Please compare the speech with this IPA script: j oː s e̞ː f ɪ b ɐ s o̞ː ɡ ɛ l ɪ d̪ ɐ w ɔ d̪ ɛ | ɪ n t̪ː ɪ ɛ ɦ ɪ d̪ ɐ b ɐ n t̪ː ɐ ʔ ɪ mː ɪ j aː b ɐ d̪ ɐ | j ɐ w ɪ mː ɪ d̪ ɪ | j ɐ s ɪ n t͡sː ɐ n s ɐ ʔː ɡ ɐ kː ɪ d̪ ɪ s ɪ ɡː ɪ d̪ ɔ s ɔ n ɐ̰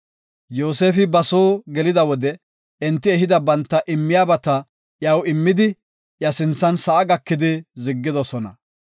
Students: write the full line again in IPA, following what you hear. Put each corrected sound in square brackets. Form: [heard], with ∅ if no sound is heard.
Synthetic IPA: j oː s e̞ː f ɪ b ɐ s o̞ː ɡ ɛ l ɪ d̪ ɐ w ɔ d̪ ɛ | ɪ n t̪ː ɪ ɛ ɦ ɪ d̪ ɐ b ɐ n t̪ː ɐ ʔ ɪ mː ɪ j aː b ɐ [t̪] ɐ | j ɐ w ɪ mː ɪ d̪ ɪ | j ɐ s ɪ n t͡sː ɐ n s ɐ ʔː ɡ ɐ kː ɪ d̪ ɪ [z] ɪ ɡː ɪ d̪ ɔ s ɔ n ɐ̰